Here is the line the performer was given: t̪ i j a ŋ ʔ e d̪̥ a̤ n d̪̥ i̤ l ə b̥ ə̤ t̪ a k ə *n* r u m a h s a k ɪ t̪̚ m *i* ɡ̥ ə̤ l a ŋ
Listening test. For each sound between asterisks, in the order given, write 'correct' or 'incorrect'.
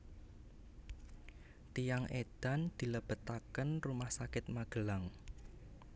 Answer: correct, incorrect

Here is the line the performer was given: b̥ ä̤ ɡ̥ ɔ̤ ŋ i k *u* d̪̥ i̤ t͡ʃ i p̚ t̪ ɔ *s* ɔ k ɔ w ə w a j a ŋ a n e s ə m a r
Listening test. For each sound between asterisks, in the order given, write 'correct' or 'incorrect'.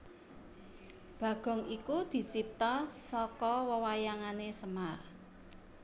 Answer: correct, correct

